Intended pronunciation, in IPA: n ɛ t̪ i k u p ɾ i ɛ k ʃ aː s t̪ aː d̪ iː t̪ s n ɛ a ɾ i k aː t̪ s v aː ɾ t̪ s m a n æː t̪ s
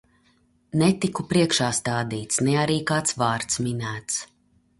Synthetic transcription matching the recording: n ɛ t̪ i k u p ɾ i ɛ k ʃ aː s t̪ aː d̪ iː t̪ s n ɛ a ɾ iː k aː t̪ s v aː ɾ t̪ s m i n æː t̪ s